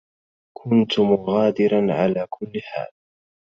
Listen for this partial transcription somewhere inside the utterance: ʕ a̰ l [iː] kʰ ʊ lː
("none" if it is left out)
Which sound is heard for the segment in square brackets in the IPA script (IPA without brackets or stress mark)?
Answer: aː